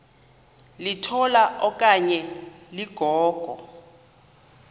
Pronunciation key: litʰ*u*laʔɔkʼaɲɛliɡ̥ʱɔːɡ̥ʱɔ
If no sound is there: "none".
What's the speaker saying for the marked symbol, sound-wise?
ɔ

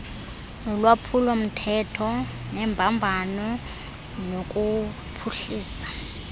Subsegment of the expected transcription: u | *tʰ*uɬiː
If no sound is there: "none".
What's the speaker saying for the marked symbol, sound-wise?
pʰ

